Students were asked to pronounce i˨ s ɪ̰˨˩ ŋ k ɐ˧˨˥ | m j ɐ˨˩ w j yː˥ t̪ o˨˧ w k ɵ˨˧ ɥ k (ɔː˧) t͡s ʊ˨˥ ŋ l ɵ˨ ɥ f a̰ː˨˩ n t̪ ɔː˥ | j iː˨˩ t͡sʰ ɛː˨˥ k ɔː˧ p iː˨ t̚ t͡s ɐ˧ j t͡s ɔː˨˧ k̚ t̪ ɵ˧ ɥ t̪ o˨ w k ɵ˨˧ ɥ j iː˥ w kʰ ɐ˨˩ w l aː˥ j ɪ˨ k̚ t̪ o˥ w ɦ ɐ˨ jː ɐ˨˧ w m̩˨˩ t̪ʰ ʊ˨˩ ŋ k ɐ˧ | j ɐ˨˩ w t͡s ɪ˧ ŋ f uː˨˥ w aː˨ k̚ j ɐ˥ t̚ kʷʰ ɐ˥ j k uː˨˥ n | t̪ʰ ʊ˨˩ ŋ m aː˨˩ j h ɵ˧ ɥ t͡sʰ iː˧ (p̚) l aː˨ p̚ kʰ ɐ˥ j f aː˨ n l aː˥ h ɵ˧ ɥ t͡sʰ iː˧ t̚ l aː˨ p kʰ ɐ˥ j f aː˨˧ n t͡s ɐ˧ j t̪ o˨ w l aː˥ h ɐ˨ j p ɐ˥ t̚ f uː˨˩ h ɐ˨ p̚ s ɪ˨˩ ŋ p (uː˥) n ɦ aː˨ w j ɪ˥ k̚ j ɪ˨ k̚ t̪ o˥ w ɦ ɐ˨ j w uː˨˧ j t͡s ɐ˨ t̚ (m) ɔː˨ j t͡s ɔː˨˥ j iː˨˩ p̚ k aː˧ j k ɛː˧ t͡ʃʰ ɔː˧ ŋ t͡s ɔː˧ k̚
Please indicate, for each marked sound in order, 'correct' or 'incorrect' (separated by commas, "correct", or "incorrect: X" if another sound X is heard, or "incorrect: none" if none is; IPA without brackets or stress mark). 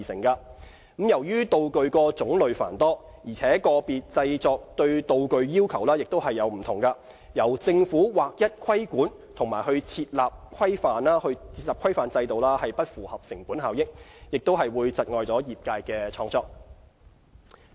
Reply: correct, incorrect: t̚, incorrect: uː˨˥, incorrect: ŋ